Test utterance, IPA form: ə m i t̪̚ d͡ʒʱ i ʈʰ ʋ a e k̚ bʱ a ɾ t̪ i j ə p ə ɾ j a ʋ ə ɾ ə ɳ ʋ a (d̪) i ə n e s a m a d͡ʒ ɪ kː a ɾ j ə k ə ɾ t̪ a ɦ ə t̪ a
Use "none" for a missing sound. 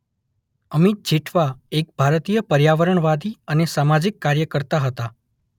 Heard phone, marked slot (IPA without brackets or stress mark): d̪